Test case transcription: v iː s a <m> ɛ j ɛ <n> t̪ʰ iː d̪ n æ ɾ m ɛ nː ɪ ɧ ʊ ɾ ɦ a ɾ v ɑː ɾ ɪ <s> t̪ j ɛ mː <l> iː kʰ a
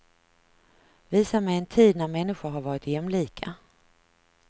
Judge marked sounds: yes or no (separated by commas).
yes, yes, no, yes